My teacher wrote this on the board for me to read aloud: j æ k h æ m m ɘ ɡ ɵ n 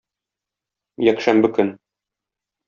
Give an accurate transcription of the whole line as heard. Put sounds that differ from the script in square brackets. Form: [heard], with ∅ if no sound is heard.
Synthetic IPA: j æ k [ʃ] æ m [b] ɘ [k] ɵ n